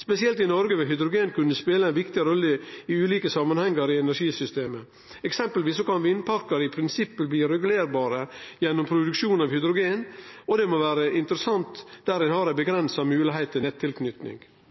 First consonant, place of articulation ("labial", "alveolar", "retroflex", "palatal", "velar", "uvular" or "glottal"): alveolar